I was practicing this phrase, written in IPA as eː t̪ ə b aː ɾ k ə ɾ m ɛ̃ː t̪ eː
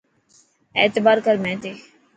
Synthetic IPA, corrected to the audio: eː t̪ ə b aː ɾ k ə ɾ m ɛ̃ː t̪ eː